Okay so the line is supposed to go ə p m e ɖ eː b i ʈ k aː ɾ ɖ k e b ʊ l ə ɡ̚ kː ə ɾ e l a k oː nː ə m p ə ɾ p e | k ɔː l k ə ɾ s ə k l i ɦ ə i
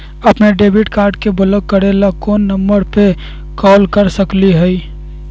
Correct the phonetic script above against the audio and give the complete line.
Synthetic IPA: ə p n e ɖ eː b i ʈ k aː ɾ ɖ k e b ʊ l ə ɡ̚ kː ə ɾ e l a k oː nː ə m b ə ɾ p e | k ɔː l k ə ɾ s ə k l i ɦ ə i

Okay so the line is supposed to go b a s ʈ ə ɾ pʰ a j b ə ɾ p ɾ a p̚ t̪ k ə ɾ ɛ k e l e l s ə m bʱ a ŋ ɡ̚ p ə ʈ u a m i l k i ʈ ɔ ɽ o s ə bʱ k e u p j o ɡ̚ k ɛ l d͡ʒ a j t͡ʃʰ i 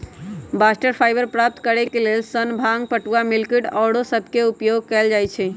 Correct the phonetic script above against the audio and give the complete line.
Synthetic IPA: b a s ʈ ə ɾ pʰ a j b ə ɾ p ɾ a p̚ t̪ k ə ɾ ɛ k e l e l s ə n bʱ a ŋ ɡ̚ p ə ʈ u a m i l k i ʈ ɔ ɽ o s ə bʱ k e u p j o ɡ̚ k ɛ l d͡ʒ a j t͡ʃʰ ɛ

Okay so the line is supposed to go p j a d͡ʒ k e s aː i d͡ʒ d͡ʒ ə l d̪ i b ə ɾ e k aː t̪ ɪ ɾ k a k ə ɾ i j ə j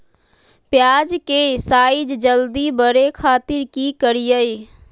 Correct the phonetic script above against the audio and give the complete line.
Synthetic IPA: p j a d͡ʒ k e s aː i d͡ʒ d͡ʒ ə l d̪ i b ə ɾ e kʰ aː t̪ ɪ ɾ k i k ə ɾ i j ə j

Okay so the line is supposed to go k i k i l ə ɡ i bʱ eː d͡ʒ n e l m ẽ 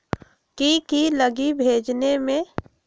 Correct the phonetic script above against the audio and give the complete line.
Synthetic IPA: k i k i l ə ɡ i bʱ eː d͡ʒ n e m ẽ

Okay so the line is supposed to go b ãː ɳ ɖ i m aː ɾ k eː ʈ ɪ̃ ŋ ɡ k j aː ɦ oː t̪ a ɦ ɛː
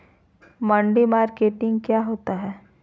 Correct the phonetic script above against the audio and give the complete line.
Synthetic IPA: m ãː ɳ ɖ i m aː ɾ k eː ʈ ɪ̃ ŋ ɡ k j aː ɦ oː t̪ a ɦ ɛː

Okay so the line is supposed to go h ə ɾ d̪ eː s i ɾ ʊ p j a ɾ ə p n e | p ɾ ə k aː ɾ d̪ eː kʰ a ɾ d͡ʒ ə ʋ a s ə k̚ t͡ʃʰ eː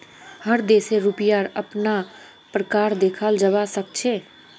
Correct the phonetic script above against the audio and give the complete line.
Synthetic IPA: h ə ɾ d̪ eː s e ɾ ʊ p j a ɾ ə p n a | p ɾ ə k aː ɾ d̪ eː kʰ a l d͡ʒ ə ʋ a s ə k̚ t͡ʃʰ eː

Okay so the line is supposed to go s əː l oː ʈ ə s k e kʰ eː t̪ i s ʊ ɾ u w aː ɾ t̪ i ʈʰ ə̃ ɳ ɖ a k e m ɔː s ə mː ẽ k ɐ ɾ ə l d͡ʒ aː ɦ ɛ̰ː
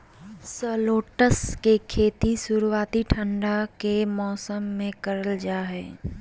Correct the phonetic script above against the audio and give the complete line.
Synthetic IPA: s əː l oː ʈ ə s k e kʰ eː t̪ i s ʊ ɾ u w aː t̪ i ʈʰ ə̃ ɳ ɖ a k e m ɔː s ə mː ẽ k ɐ ɾ ə l d͡ʒ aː ɦ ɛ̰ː

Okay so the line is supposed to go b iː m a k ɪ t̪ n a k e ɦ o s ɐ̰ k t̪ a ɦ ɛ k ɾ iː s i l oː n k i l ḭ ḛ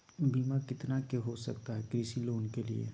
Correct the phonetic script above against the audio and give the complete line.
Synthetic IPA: b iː m a k ɪ t̪ n a k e ɦ o s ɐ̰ k t̪ a ɦ ɛ k ɾ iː s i l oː n k e l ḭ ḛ

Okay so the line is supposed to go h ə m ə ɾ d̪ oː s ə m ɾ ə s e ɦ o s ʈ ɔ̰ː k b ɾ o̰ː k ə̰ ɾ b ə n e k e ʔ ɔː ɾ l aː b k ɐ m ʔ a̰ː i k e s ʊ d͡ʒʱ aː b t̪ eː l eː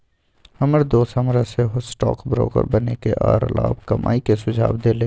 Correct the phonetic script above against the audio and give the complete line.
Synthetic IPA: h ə m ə ɾ d̪ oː s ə m ɾ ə s e ɦ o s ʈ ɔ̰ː k b ɾ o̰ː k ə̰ ɾ b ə n e k e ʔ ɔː ɾ l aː b k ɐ m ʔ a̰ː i k e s ʊ d͡ʒʱ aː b d̪ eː l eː

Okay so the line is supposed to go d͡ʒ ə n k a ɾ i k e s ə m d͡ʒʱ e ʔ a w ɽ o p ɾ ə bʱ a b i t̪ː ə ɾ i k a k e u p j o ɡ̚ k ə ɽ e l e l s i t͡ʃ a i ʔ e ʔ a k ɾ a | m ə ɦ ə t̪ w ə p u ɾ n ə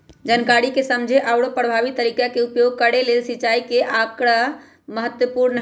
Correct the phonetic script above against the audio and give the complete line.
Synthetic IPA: d͡ʒ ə n k a ɾ i k e s ə m d͡ʒʱ e ʔ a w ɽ o p ɾ ə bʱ a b i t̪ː ə ɾ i k a k e u p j o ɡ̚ k ə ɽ e l e l s i t͡ʃ a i k e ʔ a k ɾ a | m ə ɦ ə t̪ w ə p u ɾ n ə

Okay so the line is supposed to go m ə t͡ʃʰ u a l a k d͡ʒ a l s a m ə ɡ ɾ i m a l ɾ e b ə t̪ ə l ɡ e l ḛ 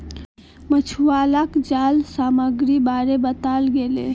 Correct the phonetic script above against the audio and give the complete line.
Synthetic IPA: m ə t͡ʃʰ u a l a k d͡ʒ a l s a m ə ɡ ɾ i b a ɾ e b ə t̪ a l ɡ e l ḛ

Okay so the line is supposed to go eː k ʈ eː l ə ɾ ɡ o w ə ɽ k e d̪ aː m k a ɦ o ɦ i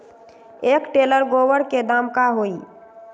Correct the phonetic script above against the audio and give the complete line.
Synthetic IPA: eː k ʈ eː l ə ɾ ɡ o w ə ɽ k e d̪ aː m k a ɦ o i

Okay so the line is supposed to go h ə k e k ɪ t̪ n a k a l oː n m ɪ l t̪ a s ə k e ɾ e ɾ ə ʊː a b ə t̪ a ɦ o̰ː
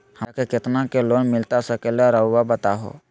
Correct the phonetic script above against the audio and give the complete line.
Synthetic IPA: h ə k e k ɪ t̪ n a k e l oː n m ɪ l t̪ a s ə k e l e ɾ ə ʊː a b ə t̪ a ɦ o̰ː

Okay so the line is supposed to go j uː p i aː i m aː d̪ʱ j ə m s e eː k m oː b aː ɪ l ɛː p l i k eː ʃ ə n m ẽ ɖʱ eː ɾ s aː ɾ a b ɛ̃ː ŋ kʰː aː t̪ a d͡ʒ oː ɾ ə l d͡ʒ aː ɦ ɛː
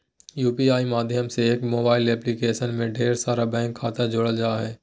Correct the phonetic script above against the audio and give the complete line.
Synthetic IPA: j uː p i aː i m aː d̪ʱ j ə m s e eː k m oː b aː ɪ l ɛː p l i k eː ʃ ə n m ẽ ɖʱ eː ɾ s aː ɾ a b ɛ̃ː ŋ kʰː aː t̪ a d͡ʒ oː ɽ ə l d͡ʒ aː ɦ ɛː

